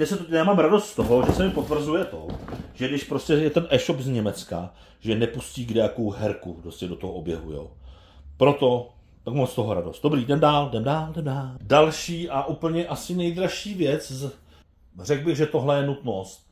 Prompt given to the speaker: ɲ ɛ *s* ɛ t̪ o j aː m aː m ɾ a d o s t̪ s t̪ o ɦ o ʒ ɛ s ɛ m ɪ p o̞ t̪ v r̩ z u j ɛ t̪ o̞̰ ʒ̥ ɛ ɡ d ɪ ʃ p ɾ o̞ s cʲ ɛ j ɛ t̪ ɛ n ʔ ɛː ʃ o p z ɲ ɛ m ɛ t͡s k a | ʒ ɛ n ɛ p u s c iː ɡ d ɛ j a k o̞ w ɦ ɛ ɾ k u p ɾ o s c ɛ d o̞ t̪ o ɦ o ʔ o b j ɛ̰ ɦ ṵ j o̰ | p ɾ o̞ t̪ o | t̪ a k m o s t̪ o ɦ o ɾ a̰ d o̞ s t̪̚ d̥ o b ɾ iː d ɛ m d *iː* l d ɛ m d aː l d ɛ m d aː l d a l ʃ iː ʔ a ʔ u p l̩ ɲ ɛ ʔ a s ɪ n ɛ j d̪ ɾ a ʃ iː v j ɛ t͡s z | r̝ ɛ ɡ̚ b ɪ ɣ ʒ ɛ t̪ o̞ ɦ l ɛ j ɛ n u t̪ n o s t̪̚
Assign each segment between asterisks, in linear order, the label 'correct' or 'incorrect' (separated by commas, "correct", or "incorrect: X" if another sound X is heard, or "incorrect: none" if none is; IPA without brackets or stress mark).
correct, incorrect: aː